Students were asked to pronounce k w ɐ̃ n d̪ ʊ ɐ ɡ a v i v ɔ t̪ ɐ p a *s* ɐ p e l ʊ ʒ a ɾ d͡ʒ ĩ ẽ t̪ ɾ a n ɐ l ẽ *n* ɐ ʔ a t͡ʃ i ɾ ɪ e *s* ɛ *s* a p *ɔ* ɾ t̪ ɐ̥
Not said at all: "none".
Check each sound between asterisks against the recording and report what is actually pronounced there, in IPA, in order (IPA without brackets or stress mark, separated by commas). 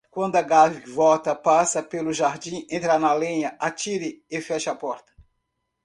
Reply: s, ɲ, f, ʃ, ɔ